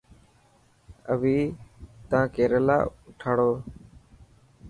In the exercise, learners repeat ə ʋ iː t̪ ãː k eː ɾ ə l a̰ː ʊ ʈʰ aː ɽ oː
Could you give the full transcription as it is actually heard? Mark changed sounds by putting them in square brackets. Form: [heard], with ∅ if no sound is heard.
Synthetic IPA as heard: ə ʋ iː t̪ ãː k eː ɾ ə l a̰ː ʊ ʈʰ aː ɽ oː